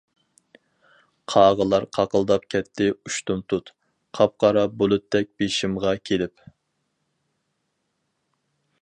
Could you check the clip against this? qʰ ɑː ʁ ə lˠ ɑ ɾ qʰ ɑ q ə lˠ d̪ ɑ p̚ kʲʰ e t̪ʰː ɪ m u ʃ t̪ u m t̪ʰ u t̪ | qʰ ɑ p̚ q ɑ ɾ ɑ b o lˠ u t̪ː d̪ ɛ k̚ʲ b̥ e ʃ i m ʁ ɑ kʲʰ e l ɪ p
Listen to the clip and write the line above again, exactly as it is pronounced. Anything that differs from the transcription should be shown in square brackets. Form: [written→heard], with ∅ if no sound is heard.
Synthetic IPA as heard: qʰ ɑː ʁ ə lˠ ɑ ɾ qʰ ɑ q ə lˠ d̪ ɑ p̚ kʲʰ [e→ɛ] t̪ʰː ɪ [m→∅] u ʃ t̪ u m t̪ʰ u t̪ | qʰ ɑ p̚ q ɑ ɾ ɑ b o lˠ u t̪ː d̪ ɛ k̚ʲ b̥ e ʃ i m ʁ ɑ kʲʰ e l ɪ p